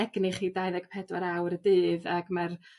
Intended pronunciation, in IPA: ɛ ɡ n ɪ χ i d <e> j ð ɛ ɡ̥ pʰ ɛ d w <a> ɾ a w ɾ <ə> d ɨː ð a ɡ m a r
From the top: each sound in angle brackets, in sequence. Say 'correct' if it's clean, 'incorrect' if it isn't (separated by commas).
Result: incorrect, correct, correct